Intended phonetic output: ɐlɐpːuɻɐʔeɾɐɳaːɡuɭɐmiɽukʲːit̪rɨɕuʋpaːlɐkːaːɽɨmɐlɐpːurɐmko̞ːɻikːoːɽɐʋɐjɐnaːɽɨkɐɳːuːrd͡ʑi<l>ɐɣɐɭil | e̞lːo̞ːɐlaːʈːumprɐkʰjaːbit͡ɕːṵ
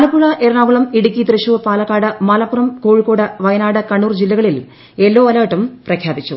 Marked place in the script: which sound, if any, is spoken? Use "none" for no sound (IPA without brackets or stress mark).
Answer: lː